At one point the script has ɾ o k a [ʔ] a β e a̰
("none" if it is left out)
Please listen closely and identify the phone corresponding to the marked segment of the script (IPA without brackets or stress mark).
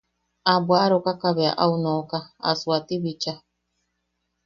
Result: k